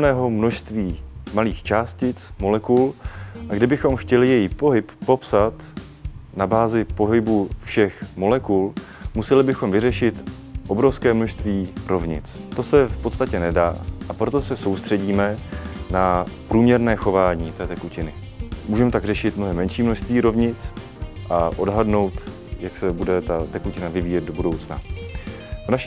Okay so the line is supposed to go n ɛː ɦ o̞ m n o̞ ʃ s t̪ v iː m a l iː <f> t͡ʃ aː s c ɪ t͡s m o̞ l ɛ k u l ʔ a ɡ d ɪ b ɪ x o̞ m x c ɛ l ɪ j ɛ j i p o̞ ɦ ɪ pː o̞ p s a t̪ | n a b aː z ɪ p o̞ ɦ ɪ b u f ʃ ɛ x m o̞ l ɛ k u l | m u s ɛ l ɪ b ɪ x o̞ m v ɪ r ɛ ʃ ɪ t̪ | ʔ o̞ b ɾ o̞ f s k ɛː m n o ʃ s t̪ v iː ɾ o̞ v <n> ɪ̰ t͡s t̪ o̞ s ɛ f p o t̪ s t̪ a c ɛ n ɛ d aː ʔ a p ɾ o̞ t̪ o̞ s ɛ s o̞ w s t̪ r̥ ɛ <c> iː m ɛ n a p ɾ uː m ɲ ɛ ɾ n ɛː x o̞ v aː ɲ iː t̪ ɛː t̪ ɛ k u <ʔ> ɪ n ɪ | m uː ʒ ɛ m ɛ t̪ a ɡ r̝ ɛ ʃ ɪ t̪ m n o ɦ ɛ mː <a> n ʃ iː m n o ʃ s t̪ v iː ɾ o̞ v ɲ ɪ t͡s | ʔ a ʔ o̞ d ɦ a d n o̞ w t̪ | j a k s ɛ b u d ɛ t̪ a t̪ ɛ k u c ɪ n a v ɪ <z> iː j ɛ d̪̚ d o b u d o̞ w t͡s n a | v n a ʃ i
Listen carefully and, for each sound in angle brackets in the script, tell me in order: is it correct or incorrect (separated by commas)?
incorrect, incorrect, incorrect, incorrect, incorrect, incorrect